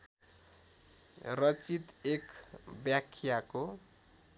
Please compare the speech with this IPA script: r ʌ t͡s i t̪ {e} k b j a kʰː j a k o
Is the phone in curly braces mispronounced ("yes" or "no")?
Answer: no